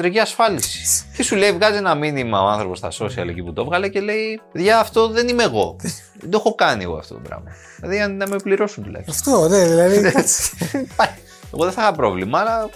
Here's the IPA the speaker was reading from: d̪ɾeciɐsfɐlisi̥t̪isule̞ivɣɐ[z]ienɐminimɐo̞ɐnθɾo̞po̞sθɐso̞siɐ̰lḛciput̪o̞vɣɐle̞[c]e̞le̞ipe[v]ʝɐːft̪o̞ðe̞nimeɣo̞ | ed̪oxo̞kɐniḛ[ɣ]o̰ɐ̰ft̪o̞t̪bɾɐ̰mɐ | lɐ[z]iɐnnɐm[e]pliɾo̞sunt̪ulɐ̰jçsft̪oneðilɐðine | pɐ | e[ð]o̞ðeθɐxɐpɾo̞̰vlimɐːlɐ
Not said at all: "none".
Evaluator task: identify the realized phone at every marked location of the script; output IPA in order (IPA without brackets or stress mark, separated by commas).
z, c, ð, ɣ, ð, e, ɣ